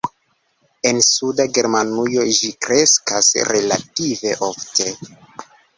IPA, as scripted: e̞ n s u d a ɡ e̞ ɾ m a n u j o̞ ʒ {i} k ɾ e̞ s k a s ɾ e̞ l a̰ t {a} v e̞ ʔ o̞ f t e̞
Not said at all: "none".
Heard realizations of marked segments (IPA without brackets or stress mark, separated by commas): i, i